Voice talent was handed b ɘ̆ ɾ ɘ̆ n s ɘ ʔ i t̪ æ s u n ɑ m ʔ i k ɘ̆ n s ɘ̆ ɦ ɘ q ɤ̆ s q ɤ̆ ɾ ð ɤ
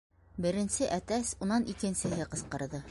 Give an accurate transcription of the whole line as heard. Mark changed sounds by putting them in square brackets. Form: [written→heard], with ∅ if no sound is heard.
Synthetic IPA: b ɘ̆ ɾ ɘ̆ n s ɘ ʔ [i→æ] t̪ æ s u n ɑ [m→n] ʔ i k ɘ̆ n s ɘ̆ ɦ ɘ q ɤ̆ s q ɤ̆ ɾ ð ɤ

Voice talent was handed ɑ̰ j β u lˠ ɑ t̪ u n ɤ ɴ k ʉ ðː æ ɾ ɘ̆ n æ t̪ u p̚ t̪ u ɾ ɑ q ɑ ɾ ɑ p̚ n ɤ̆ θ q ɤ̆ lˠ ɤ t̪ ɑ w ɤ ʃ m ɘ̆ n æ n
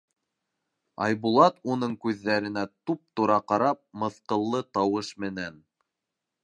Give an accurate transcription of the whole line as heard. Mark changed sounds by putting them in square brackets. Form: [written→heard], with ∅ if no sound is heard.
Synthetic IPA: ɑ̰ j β u lˠ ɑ t̪ u n ɤ ɴ k ʉ ðː æ ɾ ɘ̆ n æ t̪ u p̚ t̪ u ɾ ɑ q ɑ ɾ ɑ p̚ [n→m] ɤ̆ θ q ɤ̆ [lˠ→lˠː] ɤ t̪ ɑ w ɤ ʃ m ɘ̆ n æ n

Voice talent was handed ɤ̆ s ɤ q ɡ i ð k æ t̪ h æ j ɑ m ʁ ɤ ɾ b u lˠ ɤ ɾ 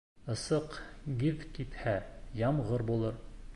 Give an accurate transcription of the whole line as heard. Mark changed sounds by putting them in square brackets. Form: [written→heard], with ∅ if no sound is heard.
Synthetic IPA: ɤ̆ s ɤ q ɡ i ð k [æ→i] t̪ h æ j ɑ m ʁ ɤ ɾ b u lˠ ɤ ɾ

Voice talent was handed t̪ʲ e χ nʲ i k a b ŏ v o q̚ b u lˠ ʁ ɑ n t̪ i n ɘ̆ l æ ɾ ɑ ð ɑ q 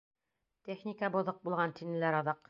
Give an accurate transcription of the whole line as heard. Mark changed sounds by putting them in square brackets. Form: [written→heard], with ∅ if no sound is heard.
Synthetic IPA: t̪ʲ e χ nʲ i k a b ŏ [v→ð] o q̚ b u lˠ ʁ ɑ n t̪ i n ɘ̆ l æ ɾ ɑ ð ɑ q

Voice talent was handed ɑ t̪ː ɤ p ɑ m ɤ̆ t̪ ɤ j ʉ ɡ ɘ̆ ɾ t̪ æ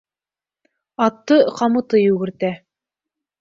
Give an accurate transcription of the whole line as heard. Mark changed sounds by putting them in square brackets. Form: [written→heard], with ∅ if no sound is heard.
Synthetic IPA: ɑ t̪ː ɤ [p→q] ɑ m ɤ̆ t̪ ɤ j ʉ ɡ ɘ̆ ɾ t̪ æ

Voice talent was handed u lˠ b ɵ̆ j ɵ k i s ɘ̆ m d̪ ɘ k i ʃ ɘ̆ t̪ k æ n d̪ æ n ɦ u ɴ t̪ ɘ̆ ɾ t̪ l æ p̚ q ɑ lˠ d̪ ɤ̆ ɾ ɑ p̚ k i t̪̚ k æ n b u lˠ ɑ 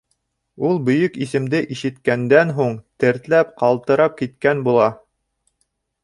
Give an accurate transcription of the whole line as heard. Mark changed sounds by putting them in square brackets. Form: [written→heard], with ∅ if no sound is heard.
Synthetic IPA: u lˠ b ɵ̆ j ɵ k i s ɘ̆ m d̪ ɘ [k→ʔ] i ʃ ɘ̆ t̪ k æ n d̪ æ n ɦ u ɴ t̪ ɘ̆ ɾ t̪ l æ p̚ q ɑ lˠ [d̪→t̪] ɤ̆ ɾ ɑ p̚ k i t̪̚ k æ n b u lˠ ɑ

